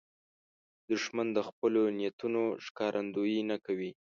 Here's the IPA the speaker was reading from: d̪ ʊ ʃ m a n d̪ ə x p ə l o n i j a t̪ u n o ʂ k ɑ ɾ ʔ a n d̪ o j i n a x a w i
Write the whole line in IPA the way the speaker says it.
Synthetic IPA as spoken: d̪ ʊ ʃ m a n d̪ ə x p ə l o n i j a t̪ u n o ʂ k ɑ ɾ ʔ a n d̪ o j i n a k a w i